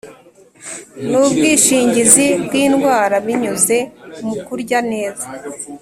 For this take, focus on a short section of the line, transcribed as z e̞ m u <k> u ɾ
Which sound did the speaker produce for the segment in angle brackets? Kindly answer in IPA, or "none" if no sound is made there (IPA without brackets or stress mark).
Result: k